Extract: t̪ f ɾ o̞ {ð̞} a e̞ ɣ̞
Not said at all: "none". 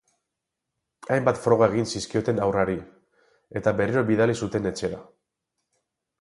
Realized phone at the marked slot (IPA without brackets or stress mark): ɣ̞